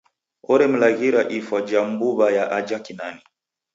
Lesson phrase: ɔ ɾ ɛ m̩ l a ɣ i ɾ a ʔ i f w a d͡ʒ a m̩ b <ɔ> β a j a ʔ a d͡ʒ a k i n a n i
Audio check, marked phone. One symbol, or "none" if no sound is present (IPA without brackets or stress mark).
u